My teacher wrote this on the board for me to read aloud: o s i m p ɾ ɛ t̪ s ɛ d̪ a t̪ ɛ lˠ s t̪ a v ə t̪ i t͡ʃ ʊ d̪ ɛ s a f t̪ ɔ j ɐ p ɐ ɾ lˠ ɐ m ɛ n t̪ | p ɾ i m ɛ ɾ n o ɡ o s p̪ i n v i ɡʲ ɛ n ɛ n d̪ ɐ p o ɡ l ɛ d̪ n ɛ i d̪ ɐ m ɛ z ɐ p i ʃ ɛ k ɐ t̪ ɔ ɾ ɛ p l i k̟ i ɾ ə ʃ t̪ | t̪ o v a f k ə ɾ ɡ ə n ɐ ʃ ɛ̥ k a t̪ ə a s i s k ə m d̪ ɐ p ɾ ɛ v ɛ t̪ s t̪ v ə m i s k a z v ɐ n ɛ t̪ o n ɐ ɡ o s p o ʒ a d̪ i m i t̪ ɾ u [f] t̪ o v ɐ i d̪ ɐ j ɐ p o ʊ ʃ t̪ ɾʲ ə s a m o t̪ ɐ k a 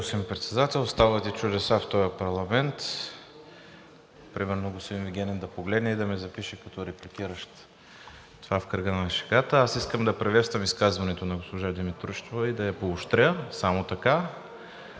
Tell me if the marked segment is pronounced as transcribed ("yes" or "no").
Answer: no